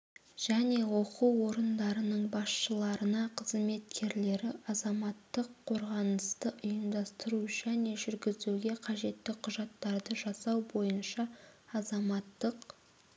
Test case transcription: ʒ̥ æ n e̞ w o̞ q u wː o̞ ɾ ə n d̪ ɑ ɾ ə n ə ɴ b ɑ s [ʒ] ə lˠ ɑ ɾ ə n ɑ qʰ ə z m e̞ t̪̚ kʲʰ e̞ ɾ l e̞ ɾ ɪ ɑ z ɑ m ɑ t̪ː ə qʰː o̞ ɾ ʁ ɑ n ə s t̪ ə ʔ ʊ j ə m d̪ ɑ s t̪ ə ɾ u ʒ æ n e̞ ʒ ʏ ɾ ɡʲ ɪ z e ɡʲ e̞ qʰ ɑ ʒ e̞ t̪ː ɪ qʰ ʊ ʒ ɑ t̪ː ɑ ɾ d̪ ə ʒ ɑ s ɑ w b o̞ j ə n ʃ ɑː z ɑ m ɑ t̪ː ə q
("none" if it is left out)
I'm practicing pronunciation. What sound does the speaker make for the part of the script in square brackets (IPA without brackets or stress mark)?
ʃ